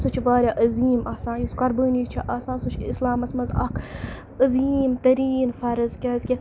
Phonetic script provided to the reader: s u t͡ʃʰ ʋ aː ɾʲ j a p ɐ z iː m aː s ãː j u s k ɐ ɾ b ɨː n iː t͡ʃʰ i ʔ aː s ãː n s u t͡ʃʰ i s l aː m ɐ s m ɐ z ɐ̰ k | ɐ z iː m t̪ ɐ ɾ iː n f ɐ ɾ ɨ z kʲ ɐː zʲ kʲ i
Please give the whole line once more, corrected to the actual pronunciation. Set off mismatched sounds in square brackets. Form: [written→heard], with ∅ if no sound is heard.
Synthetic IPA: s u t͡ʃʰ ʋ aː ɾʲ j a [p→ʔ] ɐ z iː m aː s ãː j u s k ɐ ɾ b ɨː n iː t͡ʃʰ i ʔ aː s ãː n s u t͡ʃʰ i s l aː m ɐ s m ɐ z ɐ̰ k | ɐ z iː m t̪ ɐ ɾ iː n f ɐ ɾ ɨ z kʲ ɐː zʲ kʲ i